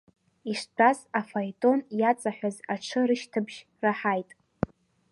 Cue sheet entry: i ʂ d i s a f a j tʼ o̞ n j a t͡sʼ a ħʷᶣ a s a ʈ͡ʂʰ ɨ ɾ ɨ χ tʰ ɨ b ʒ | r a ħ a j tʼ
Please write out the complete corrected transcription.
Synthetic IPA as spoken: i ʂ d a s a f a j tʼ o̞ n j a t͡sʼ a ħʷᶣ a z a ʈ͡ʂʰ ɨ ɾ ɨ ʃ tʰ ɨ b ʒ | r a ħ a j tʼ